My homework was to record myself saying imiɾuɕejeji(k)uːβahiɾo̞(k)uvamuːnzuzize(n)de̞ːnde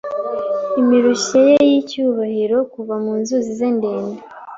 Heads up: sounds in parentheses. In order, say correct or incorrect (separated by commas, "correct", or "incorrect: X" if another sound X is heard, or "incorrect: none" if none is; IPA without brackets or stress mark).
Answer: incorrect: c, correct, correct